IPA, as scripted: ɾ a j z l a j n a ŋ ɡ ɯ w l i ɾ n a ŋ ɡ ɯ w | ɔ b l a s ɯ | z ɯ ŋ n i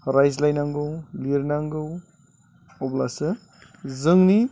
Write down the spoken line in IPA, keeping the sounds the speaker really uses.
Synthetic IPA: ɾ a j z l a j n a ŋ ɡ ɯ w l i ɾ n a ŋ ɡ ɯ w | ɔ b l a s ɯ | z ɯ ŋ n i

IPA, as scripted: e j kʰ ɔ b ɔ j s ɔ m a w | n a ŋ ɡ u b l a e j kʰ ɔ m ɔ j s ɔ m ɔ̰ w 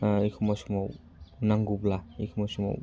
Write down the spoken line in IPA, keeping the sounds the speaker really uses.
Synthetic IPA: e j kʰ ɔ m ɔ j s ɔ m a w | n a ŋ ɡ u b l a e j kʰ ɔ m ɔ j s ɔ m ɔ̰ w

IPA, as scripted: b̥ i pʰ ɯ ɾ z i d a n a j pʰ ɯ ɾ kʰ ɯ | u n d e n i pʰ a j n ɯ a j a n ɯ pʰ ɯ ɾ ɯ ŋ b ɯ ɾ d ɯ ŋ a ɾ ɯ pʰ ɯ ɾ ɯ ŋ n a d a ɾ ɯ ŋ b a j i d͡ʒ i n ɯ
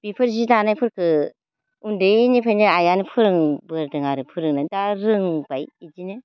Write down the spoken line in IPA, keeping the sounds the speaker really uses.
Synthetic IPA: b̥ i pʰ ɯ ɾ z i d a n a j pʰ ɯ ɾ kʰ ɯ | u n d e n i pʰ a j n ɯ a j a n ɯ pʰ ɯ ɾ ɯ ŋ b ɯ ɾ d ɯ ŋ a ɾ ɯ pʰ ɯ ɾ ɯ ŋ n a d a ɾ ɯ ŋ b a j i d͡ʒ i n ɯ

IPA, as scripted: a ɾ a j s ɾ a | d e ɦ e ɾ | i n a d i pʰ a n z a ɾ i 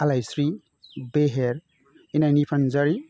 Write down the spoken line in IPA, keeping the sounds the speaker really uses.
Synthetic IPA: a l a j s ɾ i | b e ɦ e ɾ | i n a n i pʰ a n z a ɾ i

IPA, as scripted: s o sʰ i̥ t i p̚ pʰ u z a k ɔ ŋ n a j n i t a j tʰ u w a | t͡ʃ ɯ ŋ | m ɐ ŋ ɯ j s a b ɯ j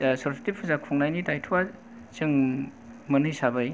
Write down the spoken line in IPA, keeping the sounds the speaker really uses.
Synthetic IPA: s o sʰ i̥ t i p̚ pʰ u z a kʰ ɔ ŋ n a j n i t a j tʰ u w a | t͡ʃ ɯ ŋ | m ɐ n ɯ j s a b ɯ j

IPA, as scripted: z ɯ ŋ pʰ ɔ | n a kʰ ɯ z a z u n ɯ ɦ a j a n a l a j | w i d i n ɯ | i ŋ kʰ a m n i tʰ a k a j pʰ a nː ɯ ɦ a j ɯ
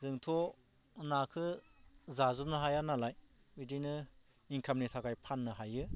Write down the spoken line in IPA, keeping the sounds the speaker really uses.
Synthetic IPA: z ɯ ŋ tʰ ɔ | n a kʰ ɯ z a z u n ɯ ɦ a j a n a l a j | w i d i n ɯ | i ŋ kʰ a m n i tʰ a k a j pʰ a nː ɯ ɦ a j ɯ

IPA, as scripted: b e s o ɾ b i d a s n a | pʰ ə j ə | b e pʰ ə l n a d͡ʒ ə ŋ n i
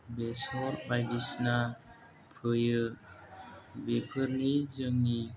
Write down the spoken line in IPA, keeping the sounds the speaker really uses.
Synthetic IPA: b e s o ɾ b a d i s n a | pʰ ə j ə | b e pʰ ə ɾ n i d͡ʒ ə ŋ n i

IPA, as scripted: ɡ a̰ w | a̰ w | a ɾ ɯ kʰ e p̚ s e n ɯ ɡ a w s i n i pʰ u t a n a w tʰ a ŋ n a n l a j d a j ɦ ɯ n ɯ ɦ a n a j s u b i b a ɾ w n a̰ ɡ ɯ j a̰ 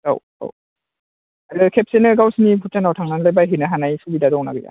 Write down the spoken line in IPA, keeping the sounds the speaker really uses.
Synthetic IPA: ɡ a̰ w | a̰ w | a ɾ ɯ kʰ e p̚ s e n ɯ ɡ a w s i n i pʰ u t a n a w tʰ a ŋ n a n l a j b a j ɦ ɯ n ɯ ɦ a n a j s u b i d a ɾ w n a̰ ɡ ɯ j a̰

